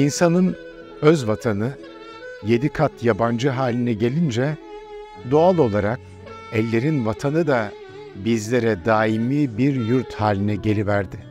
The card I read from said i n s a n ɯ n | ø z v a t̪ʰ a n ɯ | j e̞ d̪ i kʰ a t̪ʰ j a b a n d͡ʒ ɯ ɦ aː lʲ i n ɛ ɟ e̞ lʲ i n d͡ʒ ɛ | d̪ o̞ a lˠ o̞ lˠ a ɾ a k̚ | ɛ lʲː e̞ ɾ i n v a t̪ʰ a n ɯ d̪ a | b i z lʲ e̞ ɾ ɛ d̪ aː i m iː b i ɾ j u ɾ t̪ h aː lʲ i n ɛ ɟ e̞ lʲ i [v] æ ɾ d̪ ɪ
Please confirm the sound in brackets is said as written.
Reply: yes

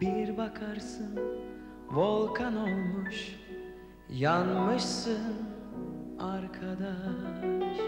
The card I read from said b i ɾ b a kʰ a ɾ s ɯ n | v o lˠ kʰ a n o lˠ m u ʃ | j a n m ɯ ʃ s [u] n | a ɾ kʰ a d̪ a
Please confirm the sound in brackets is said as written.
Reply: no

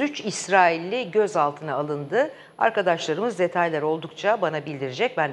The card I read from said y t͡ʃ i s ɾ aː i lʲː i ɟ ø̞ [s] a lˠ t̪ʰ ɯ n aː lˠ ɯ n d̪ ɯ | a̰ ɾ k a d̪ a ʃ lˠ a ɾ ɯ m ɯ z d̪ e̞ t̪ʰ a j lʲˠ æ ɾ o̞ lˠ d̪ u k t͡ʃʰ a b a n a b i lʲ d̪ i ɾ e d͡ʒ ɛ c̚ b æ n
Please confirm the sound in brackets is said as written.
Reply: no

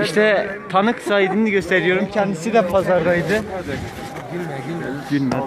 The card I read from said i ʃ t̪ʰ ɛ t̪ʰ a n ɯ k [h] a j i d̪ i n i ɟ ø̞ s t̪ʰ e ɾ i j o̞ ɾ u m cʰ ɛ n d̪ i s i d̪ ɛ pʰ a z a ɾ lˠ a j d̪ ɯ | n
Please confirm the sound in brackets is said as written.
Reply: no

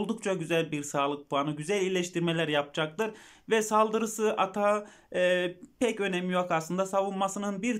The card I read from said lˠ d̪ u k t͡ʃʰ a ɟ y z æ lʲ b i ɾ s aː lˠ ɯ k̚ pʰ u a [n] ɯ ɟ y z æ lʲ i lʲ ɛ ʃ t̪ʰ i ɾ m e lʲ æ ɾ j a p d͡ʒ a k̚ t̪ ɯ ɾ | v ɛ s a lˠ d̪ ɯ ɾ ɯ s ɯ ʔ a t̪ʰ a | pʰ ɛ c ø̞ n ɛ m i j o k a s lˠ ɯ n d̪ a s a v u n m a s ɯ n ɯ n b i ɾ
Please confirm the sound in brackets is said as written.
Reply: yes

